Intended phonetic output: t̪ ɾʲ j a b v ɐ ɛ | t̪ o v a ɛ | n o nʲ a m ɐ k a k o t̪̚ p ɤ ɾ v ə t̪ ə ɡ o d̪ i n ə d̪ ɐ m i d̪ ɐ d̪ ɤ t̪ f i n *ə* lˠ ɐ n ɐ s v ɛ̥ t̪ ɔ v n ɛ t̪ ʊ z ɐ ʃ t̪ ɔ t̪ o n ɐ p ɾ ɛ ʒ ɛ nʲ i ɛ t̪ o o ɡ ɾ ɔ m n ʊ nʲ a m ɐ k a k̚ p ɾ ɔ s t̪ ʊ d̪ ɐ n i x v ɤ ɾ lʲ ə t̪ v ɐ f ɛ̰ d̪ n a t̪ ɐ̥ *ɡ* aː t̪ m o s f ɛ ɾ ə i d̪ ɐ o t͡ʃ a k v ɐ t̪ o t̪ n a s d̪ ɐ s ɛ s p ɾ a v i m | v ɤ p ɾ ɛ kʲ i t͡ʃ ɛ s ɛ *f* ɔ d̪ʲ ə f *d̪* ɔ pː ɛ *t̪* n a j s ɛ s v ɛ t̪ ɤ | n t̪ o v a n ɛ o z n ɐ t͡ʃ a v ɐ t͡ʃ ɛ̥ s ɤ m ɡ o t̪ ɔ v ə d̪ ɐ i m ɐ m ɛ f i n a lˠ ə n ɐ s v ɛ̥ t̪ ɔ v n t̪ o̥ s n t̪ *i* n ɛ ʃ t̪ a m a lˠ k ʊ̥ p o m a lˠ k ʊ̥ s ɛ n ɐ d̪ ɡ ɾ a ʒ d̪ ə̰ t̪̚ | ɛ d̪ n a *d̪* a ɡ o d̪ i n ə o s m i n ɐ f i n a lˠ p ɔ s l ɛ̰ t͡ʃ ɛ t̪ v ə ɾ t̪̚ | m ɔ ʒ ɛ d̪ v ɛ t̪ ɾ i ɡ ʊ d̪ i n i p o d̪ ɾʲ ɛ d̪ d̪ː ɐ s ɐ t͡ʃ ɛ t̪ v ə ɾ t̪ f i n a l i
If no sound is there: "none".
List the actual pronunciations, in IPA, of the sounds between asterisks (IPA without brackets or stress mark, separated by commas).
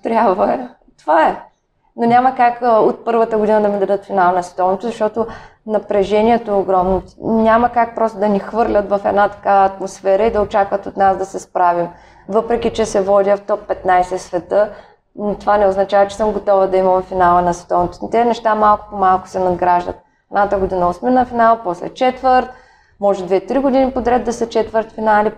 a, k, v, t̪, t̪, ɛ, t̪